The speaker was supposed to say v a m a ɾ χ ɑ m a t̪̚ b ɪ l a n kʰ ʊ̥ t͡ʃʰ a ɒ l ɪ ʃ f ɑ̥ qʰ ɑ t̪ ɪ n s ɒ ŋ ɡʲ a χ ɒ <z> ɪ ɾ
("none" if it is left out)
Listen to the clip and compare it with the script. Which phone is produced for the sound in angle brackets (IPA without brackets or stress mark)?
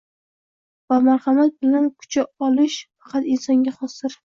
s